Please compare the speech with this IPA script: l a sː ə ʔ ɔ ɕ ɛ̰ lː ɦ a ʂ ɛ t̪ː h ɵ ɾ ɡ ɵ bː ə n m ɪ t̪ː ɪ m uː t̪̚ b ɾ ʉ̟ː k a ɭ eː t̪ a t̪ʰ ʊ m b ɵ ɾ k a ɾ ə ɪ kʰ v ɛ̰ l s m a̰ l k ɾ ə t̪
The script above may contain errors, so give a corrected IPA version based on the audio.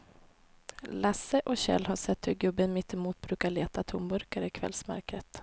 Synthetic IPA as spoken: l a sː ə ʔ ɔ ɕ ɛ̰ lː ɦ a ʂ ɛ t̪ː h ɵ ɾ ɡ ɵ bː ə n m ɪ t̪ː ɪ m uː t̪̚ b ɾ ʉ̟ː k a ɭ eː t̪ a t̪ʰ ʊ m b ɵ ɾ k a ɾ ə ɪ kʰ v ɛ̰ l s m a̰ ɾ k ɾ ə t̪